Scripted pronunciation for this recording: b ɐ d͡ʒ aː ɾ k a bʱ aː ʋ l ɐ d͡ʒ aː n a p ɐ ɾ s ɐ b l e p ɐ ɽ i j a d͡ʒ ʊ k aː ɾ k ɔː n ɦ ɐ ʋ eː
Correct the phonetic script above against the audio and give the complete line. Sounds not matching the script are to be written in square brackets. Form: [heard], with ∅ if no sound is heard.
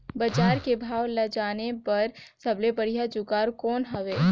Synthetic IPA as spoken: b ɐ d͡ʒ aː ɾ k [e] bʱ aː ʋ l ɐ d͡ʒ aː n [e] p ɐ ɾ s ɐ b l e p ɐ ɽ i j a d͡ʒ ʊ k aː ɾ k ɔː n ɦ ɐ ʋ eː